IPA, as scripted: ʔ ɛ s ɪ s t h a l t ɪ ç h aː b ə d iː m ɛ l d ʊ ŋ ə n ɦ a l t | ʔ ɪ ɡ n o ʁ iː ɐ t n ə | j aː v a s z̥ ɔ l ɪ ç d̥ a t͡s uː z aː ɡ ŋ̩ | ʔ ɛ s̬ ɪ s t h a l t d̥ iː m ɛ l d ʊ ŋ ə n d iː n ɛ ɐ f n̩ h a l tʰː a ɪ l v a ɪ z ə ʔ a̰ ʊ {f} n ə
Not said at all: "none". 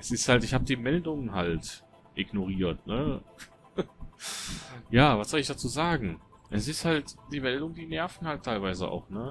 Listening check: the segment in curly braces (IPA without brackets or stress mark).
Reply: x